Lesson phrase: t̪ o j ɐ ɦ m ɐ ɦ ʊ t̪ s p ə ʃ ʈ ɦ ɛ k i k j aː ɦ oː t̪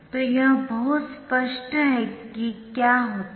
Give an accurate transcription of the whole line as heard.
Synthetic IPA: t̪ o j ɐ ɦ b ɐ ɦ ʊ t̪ s p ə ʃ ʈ ɦ ɛ k i k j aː ɦ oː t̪